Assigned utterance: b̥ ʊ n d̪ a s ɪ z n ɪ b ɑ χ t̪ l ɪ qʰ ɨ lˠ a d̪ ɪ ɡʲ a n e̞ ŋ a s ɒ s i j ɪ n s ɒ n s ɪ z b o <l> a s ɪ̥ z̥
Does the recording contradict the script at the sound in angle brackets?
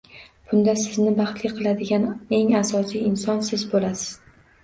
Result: no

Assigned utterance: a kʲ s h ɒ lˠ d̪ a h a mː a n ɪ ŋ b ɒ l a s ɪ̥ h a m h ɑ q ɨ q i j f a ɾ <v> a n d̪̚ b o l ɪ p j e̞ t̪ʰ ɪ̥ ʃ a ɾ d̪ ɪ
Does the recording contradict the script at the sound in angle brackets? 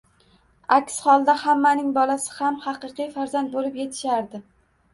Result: yes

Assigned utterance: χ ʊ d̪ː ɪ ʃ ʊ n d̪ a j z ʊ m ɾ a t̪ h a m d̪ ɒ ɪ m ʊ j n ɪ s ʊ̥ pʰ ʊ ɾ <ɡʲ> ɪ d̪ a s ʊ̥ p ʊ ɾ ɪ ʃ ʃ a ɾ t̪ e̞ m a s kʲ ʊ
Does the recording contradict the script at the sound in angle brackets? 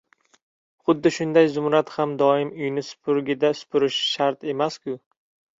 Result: no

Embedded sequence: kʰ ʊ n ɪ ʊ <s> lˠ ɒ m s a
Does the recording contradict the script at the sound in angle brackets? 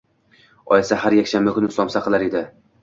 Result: no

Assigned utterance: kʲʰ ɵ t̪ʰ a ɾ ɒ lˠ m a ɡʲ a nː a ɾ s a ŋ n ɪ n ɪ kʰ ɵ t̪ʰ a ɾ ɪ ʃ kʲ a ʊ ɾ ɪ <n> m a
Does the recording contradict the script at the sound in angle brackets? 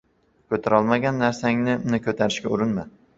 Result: no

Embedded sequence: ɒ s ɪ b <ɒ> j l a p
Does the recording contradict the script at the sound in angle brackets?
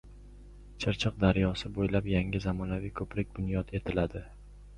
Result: yes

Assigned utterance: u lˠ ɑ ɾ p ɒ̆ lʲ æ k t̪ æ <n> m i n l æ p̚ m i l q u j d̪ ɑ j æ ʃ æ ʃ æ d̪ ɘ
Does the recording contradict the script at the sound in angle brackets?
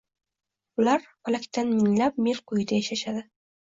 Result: no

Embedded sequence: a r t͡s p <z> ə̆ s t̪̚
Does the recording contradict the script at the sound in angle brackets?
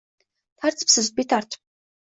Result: yes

